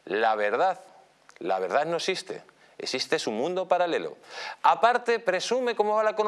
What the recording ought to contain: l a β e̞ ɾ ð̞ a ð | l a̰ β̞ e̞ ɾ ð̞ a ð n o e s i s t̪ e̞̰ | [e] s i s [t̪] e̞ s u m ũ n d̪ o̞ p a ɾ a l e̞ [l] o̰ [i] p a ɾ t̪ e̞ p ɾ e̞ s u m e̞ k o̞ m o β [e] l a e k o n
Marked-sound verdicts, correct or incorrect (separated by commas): correct, correct, correct, incorrect, incorrect